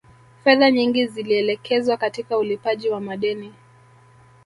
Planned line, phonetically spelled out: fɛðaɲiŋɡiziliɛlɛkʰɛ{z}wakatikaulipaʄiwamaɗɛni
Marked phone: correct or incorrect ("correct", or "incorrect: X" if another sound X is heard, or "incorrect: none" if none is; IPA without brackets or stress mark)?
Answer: correct